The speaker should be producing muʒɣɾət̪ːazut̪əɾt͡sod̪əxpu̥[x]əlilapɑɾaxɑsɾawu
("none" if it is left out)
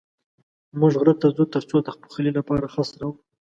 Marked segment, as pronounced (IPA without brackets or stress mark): x